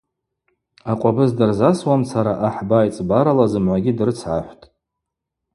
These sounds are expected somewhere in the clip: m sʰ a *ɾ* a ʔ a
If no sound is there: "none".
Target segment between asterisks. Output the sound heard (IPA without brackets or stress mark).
ɾ